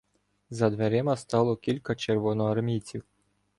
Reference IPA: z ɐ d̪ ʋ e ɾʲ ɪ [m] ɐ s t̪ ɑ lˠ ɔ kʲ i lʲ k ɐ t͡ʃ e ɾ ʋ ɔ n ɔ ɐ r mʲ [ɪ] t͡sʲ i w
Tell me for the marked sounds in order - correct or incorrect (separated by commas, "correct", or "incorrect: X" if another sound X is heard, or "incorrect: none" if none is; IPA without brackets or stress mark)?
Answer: correct, incorrect: i